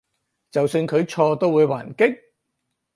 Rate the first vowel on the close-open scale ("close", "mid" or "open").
open